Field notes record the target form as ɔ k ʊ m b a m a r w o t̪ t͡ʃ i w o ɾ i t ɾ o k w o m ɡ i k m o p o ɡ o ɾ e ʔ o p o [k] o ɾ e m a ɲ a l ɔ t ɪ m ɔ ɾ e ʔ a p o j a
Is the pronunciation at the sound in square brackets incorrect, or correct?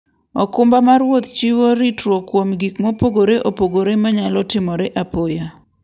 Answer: incorrect